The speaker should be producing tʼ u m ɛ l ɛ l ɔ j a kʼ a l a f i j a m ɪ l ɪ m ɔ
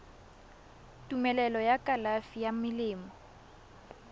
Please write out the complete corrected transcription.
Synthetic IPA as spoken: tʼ u m ɛ l ɛ l ɔ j a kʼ a l a f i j a m ɪ l ɪː m ɔ